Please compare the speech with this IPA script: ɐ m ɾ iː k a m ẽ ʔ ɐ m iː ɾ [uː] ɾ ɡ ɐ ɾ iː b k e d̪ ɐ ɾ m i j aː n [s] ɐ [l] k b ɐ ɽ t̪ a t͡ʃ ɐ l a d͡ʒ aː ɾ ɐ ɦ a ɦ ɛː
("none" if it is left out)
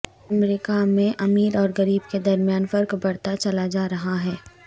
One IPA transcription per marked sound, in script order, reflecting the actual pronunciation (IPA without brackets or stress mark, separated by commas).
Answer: ɔː, f, ɾ